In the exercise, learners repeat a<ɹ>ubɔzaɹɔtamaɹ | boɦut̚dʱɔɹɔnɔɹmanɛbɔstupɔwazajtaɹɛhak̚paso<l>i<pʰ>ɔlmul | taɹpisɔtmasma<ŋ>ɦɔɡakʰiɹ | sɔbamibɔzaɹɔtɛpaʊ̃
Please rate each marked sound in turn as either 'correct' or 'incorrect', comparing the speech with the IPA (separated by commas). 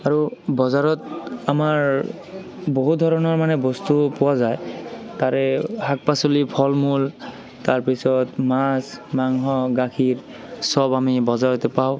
correct, correct, correct, correct